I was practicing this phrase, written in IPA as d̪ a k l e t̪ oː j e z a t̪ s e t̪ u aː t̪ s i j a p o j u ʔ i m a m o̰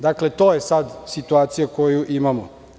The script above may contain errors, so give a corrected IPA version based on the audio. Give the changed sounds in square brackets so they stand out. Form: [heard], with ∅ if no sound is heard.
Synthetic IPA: d̪ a k l e t̪ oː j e [s] a [d̪] s [i] t̪ u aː t̪ s i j a [k] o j u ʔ i m a m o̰